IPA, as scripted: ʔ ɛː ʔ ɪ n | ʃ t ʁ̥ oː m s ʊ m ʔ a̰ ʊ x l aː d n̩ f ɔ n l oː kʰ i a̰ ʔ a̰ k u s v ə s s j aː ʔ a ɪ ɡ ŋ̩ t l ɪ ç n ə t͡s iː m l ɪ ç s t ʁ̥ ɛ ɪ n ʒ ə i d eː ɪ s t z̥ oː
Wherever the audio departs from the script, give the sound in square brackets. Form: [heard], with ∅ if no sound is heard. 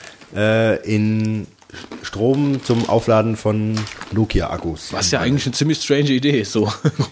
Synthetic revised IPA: ʔ ɛː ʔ ɪ n | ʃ t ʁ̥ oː m [t͡s] ʊ m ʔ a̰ ʊ [f] l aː d n̩ f ɔ n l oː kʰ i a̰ ʔ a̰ k u s v [a] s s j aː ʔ a ɪ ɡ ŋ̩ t l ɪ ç n ə t͡s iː m l ɪ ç s t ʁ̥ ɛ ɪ n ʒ ə i d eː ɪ s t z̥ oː